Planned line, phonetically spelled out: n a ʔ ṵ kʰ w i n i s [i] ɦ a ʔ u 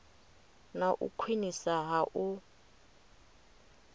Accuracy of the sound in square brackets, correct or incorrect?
incorrect